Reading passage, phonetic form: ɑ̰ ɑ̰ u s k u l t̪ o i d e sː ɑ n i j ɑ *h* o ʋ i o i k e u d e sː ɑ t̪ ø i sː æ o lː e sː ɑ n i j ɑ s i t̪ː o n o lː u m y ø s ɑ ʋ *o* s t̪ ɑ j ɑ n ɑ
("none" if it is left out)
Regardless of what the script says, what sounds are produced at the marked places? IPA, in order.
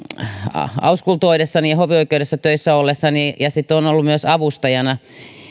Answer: h, u

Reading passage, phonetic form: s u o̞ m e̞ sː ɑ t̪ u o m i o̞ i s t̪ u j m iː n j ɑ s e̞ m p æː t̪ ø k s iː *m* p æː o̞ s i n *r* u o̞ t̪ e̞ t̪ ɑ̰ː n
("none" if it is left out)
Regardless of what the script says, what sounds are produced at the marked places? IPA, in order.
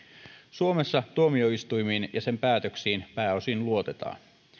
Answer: n, l

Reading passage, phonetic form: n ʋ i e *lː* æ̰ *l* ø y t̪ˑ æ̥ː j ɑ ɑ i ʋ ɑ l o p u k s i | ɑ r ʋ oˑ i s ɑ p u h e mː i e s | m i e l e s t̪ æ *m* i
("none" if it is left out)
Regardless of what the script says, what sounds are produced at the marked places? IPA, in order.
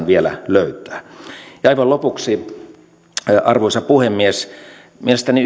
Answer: l, l, n

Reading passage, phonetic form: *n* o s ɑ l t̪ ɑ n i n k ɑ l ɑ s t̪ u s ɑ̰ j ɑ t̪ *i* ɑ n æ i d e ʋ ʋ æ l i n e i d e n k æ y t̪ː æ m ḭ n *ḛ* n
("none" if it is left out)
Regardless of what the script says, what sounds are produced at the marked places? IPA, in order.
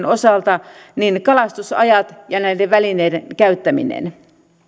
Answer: n, j, ḛ

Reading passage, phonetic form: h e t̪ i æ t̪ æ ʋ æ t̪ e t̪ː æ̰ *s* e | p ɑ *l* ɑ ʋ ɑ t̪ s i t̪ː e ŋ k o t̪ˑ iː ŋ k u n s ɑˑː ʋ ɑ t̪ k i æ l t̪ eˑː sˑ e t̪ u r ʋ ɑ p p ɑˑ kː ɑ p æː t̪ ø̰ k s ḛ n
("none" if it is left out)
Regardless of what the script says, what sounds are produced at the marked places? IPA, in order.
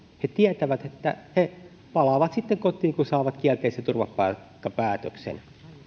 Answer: h, l

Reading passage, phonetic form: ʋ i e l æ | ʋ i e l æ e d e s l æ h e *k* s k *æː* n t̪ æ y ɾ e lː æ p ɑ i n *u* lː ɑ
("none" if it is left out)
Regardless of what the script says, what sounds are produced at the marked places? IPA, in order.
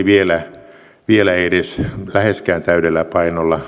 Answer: none, æː, o

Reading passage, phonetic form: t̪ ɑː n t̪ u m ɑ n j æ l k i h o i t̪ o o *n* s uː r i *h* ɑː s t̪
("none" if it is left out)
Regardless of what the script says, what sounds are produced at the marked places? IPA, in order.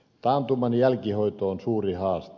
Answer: n, h

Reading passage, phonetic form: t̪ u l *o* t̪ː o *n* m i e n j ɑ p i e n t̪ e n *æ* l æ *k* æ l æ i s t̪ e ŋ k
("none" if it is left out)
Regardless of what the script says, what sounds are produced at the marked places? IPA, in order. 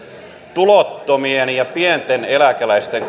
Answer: o, none, e, k

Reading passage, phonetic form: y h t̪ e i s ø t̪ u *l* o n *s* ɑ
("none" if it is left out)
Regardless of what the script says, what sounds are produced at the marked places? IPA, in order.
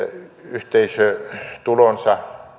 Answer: l, s

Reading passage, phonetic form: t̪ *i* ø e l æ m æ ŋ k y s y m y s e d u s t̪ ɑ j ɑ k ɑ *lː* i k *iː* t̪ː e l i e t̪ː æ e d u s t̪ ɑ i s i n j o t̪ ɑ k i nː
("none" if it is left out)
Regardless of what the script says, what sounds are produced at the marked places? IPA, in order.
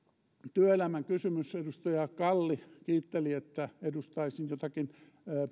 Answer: y, lː, iː

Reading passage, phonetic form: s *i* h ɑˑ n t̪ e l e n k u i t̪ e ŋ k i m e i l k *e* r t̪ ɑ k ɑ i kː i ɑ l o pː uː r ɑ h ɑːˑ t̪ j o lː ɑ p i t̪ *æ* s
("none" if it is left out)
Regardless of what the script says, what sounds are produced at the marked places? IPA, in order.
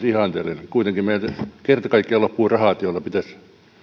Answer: i, e, æ

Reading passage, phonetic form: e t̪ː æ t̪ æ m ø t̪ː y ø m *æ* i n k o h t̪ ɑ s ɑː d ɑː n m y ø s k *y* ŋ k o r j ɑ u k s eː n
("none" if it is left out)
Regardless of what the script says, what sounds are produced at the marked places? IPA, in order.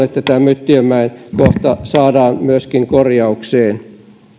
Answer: æ, i

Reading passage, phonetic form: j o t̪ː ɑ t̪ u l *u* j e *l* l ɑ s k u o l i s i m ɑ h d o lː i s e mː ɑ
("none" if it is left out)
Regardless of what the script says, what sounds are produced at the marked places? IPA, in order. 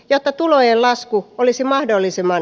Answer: o, l

